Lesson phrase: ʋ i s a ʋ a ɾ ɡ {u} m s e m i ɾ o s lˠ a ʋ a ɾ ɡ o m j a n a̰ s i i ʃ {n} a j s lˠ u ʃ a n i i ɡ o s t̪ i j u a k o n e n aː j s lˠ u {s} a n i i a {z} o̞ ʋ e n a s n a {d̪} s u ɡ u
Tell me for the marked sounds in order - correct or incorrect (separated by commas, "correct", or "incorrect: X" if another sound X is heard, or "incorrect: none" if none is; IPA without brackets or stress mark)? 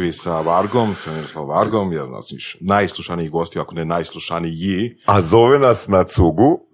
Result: incorrect: o, correct, incorrect: ʃ, correct, incorrect: t̪